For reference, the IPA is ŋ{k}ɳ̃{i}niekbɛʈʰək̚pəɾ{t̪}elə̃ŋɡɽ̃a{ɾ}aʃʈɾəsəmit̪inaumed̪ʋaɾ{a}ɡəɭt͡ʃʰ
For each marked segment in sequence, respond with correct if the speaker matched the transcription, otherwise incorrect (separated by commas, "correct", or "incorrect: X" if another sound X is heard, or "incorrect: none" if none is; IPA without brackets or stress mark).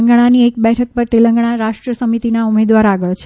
incorrect: ɡ, incorrect: a, correct, correct, correct